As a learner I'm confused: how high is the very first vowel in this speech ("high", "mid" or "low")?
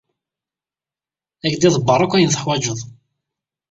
low